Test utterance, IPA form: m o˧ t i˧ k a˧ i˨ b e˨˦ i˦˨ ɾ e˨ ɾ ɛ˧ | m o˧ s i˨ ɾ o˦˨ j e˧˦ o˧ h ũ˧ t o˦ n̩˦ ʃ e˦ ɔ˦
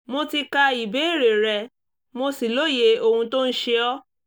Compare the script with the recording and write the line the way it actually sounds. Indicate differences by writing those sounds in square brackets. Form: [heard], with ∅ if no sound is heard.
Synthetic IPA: m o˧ t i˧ k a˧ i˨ b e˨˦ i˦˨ ɾ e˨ ɾ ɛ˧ | m o˧ s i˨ [l] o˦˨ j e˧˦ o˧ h ũ˧ t o˦ n̩˦ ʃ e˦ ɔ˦